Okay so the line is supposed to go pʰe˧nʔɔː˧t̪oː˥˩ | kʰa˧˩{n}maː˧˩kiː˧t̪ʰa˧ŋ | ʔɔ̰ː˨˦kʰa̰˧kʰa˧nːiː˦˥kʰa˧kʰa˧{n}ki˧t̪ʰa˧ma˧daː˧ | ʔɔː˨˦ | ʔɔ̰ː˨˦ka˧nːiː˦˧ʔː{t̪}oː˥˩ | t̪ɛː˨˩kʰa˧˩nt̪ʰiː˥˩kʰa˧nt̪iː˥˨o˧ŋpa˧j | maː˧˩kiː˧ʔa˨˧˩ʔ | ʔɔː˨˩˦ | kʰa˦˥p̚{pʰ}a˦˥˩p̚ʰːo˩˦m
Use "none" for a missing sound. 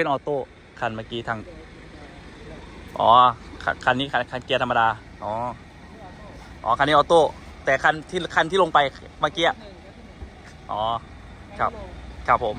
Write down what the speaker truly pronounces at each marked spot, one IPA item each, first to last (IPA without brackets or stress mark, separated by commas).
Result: n, n, t̪, kʰ